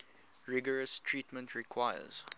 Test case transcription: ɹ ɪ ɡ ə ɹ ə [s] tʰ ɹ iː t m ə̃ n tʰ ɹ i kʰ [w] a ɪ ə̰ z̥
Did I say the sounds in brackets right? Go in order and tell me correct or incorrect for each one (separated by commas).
correct, correct